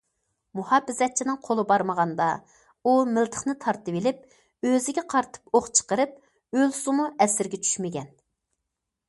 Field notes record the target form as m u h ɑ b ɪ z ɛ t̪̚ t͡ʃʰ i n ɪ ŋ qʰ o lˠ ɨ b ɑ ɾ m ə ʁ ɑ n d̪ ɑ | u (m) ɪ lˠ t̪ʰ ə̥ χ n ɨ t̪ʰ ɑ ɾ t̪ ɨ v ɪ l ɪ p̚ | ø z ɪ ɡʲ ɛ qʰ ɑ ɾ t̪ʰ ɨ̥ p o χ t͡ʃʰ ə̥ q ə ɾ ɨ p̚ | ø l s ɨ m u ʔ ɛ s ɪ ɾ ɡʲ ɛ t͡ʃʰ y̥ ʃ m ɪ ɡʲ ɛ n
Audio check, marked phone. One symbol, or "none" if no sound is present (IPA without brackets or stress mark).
m